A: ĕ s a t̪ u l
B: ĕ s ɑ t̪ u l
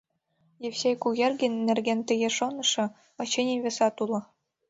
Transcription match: B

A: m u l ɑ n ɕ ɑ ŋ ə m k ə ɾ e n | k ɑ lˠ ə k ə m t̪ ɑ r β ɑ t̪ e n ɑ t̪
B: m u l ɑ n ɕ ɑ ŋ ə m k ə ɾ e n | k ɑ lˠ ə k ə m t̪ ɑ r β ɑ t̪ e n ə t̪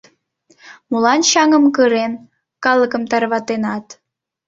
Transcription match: A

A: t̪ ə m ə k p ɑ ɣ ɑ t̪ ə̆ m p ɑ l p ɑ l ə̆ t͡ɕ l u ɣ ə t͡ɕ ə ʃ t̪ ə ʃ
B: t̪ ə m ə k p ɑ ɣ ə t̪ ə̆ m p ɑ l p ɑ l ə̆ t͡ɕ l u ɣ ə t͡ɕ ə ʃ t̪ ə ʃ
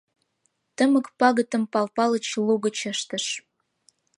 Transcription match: B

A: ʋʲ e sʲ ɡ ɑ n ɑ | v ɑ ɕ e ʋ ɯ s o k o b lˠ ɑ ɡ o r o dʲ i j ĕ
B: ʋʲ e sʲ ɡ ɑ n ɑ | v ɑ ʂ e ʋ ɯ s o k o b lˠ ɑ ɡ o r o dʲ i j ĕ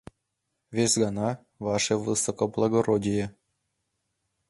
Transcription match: B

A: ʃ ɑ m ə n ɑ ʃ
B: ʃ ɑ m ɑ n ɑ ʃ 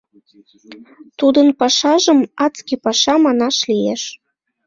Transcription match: B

